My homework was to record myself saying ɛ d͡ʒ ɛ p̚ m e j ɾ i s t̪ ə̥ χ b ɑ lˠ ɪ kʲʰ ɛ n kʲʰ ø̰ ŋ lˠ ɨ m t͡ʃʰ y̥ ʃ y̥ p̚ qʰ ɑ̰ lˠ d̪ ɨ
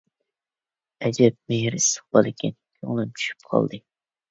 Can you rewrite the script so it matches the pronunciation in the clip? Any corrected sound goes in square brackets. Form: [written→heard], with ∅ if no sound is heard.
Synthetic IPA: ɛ d͡ʒ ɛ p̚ m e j ɾ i s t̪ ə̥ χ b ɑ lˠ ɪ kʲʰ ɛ n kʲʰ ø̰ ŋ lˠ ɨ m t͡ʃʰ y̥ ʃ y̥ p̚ qʰ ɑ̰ lˠ d̪ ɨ